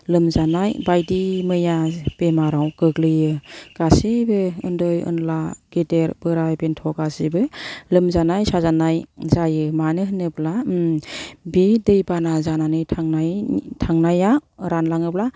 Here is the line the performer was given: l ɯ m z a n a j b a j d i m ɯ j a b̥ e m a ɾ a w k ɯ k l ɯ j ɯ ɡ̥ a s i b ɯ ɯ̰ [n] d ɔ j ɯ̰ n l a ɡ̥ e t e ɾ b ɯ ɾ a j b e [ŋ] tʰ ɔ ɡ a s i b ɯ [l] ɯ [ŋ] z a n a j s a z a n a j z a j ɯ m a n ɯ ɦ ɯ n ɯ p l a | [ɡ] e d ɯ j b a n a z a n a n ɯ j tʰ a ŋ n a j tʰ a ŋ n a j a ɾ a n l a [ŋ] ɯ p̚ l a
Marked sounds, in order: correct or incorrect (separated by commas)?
correct, incorrect, correct, incorrect, incorrect, correct